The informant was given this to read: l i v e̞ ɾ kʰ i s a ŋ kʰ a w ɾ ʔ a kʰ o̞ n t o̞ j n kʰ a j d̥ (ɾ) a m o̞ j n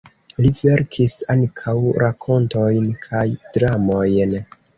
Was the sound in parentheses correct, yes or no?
yes